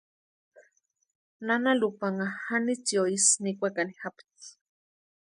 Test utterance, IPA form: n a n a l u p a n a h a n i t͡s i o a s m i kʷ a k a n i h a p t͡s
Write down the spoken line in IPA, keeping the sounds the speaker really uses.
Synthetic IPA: n a n a l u p a ŋ a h a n i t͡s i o i s n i kʷ a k a n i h a p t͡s